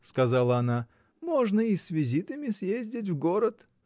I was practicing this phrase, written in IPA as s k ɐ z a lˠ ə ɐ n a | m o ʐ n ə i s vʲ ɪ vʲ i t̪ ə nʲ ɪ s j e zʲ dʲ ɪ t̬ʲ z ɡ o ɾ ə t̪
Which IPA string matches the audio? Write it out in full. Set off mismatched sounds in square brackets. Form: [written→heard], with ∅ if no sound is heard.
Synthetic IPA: s k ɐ z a lˠ ə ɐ n a | m o ʐ n ə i s vʲ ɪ [vʲ→zʲ] i t̪ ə [nʲ→mʲ] ɪ s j e zʲ dʲ ɪ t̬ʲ [z→v] ɡ o ɾ ə t̪